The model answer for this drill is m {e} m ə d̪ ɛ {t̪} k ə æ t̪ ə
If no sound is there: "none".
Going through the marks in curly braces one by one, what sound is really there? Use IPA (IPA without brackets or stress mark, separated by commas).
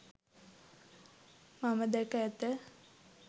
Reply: a, none